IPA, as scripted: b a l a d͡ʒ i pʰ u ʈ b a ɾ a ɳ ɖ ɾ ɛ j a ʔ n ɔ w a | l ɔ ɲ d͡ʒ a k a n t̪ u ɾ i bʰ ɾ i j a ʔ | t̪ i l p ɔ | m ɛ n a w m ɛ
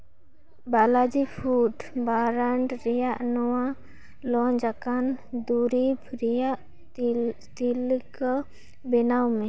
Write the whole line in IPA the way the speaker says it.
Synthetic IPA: b a l a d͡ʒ i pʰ u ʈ b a ɾ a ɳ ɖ ɾ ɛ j a ʔ n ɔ w a | l ɔ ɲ d͡ʒ a k a n d̪ u ɾ i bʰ ɾ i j a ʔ | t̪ i l k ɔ | b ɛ n a w m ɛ

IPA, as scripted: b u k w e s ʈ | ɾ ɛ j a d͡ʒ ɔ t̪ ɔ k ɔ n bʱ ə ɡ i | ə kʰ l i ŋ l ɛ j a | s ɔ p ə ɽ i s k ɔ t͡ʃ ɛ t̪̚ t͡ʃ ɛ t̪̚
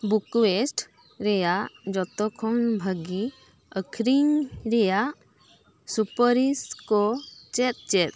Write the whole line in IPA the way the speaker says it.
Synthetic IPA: b u k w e s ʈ | ɾ ɛ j a d͡ʒ ɔ t̪ ɔ kʰ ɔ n bʱ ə ɡ i | ə kʰ ɾ i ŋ ɾ ɛ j a | s u p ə ɾ i s k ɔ t͡ʃ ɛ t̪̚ t͡ʃ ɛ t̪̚

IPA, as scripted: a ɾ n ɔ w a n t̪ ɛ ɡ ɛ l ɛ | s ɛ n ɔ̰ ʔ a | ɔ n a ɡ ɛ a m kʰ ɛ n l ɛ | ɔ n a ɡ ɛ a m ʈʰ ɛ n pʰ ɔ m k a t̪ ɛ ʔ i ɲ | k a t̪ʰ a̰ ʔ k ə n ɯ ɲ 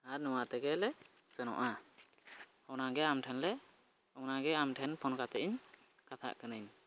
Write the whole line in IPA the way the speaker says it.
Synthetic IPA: a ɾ n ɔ w a t̪ ɛ ɡ ɛ l ɛ | s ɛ n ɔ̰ ʔ a | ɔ n a ɡ ɛ a m ʈʰ ɛ n l ɛ | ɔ n a ɡ ɛ a m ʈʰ ɛ n pʰ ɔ n k a t̪ ɛ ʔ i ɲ | k a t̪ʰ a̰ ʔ k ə n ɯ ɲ

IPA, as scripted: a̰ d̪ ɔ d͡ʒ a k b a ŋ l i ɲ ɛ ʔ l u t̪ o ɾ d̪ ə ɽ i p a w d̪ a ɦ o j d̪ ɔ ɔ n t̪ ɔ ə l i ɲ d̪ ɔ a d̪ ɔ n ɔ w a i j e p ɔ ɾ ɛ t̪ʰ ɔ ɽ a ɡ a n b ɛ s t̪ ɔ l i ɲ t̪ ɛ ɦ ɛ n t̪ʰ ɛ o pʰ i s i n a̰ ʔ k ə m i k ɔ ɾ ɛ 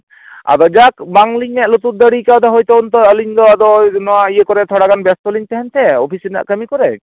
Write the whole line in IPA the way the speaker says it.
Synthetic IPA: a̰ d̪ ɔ d͡ʒ a k b a ŋ l i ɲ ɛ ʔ l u t̪ u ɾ d̪ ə ɽ i k a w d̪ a ɦ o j t̪ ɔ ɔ n t̪ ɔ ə l i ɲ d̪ ɔ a d̪ ɔ n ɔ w a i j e k ɔ ɾ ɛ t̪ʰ ɔ ɽ a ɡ a n b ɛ s t̪ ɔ l i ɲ t̪ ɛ ɦ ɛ n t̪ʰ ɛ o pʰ i s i n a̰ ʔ k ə m i k ɔ ɾ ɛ

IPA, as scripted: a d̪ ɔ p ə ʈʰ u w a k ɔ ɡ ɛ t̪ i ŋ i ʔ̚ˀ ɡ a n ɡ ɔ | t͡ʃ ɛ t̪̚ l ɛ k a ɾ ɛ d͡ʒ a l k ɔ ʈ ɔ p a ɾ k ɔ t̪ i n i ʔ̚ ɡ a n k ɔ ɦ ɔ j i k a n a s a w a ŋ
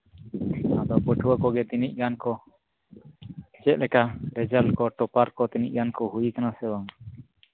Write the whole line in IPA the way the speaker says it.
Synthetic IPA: a d̪ ɔ p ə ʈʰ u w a k ɔ ɡ ɛ t̪ i n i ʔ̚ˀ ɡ a n k ɔ | t͡ʃ ɛ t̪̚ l ɛ k a ɾ ɛ d͡ʒ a l k ɔ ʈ ɔ p a ɾ k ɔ t̪ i n i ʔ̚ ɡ a n k ɔ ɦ u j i k a n a s ɛ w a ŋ

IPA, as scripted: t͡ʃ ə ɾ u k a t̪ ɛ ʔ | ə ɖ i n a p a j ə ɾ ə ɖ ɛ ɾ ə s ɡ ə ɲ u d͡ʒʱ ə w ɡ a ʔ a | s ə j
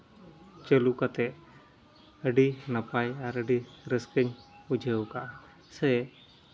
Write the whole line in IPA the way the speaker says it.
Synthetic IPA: t͡ʃ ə l u k a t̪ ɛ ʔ | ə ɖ i n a p a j a ɾ ə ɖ i ɾ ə s k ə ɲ u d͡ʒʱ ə w k a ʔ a | s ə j

